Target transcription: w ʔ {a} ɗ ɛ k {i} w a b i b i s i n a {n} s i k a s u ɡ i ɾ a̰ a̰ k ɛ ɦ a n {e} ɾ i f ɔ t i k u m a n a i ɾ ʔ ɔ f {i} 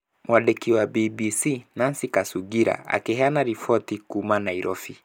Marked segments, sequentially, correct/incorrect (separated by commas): correct, correct, correct, incorrect, correct